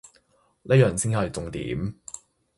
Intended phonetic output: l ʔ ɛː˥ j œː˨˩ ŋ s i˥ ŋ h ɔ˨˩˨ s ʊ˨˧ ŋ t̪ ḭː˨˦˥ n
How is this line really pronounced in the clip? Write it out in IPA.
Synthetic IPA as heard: l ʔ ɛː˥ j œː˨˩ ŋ s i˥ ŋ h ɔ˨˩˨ t͡s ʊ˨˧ ŋ t̪ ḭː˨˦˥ m